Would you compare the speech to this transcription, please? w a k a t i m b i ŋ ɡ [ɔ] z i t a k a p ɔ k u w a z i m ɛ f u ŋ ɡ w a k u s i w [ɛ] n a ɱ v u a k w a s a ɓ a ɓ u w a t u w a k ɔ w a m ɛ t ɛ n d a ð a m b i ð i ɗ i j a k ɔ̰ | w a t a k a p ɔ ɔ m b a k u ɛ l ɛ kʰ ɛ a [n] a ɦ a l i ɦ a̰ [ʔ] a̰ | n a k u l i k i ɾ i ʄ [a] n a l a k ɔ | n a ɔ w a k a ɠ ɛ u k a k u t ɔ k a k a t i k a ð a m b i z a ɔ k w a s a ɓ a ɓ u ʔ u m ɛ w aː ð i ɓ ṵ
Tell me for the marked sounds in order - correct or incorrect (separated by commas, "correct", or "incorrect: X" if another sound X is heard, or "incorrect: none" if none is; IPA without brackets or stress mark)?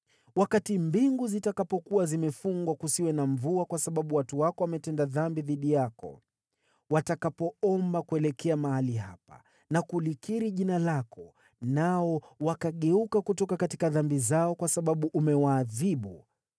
incorrect: u, correct, incorrect: m, incorrect: p, incorrect: i